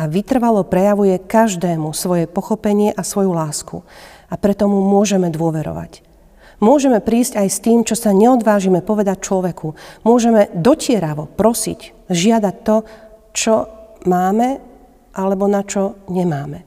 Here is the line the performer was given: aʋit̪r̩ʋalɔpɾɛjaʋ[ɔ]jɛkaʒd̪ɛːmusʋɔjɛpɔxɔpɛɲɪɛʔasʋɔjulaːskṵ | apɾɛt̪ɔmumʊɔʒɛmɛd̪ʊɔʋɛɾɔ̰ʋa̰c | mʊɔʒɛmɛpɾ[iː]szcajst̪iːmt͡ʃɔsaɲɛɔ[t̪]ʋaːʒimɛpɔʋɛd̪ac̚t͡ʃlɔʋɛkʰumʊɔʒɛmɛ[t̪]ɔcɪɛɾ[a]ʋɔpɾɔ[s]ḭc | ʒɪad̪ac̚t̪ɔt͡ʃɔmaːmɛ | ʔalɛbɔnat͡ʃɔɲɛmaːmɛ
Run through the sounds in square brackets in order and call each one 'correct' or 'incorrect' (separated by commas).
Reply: incorrect, correct, incorrect, incorrect, correct, correct